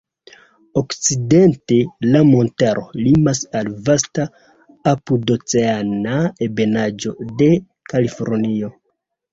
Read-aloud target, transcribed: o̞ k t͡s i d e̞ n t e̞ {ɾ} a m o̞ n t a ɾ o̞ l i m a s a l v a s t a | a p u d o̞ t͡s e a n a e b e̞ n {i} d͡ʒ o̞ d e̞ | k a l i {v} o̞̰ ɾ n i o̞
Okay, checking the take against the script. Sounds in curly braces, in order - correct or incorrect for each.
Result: incorrect, incorrect, incorrect

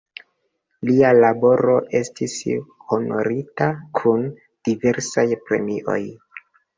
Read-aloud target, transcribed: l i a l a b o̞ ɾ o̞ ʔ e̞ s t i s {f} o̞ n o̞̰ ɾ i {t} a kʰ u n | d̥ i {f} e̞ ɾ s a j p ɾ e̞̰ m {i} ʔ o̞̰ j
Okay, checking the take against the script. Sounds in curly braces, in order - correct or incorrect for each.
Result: incorrect, correct, incorrect, correct

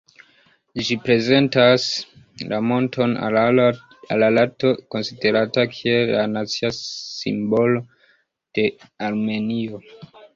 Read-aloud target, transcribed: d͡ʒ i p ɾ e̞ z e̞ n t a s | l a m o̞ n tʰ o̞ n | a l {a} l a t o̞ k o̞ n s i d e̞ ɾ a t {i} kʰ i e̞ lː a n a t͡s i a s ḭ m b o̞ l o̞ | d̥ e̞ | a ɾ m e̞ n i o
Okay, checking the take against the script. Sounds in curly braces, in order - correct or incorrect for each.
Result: correct, incorrect

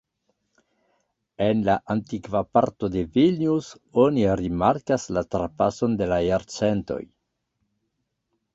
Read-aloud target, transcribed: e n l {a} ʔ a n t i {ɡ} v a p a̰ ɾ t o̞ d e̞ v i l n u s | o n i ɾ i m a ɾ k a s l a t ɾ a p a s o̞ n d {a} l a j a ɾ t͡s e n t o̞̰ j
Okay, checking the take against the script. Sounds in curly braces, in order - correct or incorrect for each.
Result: correct, incorrect, incorrect

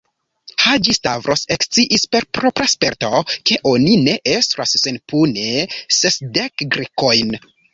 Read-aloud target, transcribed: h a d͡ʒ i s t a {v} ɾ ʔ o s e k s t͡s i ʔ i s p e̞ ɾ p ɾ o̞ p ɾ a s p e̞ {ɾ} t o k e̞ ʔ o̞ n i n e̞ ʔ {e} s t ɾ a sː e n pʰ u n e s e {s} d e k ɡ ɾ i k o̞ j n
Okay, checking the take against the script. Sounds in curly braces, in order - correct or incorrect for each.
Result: correct, correct, correct, correct

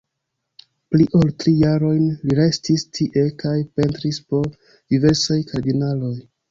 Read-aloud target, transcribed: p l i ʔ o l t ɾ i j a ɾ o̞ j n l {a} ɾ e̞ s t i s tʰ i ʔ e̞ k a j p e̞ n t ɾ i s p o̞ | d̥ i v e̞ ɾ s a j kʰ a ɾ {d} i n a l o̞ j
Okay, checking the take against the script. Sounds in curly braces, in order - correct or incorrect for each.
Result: incorrect, correct

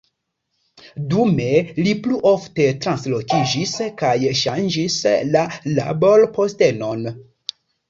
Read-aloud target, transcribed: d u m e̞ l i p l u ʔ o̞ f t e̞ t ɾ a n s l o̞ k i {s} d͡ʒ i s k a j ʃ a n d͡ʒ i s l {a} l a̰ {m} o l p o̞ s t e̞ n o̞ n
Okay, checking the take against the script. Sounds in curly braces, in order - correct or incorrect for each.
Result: incorrect, correct, incorrect

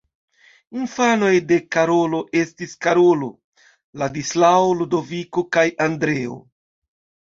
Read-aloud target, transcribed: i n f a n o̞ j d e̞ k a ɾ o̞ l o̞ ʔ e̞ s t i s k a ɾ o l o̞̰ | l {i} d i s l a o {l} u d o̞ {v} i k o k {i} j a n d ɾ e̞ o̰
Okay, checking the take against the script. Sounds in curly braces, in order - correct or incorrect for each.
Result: incorrect, correct, correct, incorrect

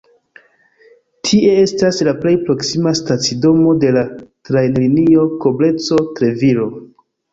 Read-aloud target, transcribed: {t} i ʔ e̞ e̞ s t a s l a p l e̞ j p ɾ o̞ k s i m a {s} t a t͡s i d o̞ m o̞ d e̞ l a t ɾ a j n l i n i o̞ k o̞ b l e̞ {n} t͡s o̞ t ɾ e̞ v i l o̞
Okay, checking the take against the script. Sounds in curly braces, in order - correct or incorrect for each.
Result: incorrect, correct, incorrect

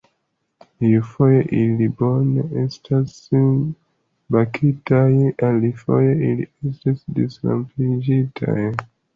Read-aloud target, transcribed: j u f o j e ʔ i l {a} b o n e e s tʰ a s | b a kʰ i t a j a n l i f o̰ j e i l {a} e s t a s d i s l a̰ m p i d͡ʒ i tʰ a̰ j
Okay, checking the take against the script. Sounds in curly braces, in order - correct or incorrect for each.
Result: incorrect, incorrect

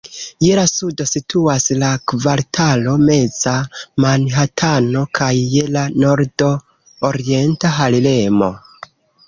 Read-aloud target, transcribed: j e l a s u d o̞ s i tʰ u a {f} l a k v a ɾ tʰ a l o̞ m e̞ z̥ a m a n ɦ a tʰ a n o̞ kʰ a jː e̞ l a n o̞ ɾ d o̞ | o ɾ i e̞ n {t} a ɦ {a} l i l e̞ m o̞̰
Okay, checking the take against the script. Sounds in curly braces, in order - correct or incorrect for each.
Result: incorrect, correct, correct

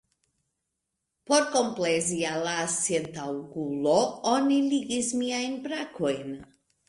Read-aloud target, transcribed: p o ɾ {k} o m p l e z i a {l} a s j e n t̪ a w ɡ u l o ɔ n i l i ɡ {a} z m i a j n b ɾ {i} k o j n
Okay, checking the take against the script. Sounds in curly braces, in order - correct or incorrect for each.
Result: correct, correct, incorrect, incorrect

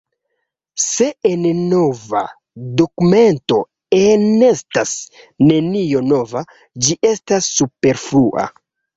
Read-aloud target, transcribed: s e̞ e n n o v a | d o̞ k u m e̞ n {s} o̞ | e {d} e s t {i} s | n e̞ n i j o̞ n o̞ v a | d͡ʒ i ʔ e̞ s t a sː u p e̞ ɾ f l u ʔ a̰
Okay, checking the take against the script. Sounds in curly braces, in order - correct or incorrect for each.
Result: incorrect, incorrect, incorrect

